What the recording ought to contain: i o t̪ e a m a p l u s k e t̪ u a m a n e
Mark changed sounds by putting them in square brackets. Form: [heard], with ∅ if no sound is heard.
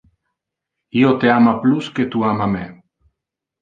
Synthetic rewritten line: i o t̪ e a m a p l u s k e t̪ u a m a [m] e

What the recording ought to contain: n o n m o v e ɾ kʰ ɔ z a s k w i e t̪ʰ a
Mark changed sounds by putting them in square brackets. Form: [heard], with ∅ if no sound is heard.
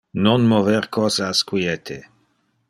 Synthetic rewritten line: n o n m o v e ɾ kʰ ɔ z a s k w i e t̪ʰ [e]

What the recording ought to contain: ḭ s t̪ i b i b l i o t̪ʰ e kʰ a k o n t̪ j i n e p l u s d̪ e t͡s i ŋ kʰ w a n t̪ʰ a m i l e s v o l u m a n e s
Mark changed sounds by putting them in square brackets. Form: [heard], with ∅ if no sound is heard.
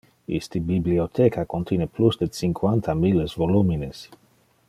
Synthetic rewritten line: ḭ s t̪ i b i b l i o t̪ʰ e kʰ a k o n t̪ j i n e p l u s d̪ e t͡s i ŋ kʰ w a n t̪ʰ a m i l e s v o l u m [i] n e s

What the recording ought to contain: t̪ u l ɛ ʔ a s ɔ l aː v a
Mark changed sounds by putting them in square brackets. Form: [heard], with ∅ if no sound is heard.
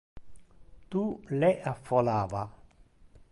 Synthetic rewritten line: t̪ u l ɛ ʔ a [f] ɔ l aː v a

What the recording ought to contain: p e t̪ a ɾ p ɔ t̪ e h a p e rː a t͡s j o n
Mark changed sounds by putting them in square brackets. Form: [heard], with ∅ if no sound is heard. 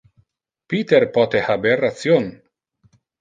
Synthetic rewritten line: p [i] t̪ [e] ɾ p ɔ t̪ e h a [b] e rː a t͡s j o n

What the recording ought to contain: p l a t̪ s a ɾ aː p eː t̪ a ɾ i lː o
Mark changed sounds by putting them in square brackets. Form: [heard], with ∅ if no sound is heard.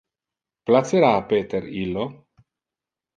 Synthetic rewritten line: p l a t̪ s [e] ɾ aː p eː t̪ [e] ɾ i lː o

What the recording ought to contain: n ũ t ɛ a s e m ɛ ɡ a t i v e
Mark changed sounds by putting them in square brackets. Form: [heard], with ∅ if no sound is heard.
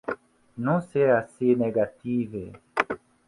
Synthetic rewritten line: n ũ [s] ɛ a s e [n] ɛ ɡ a t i v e

